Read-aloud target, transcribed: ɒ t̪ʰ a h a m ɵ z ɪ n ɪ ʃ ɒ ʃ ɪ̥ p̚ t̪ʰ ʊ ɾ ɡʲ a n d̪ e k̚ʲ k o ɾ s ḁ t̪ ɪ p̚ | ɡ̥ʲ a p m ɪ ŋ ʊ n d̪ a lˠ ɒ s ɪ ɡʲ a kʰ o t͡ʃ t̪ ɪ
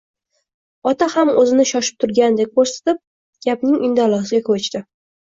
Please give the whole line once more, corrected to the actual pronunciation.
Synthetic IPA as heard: ɒ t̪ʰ a h a m ɵ z ɪ n ɪ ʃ ɒ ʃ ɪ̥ p̚ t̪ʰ ʊ ɾ ɡʲ a n d̪ e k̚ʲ k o ɾ s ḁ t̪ ɪ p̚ | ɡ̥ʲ a p n ɪ ŋ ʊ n d̪ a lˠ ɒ s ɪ ɡʲ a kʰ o t͡ʃ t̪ ɪ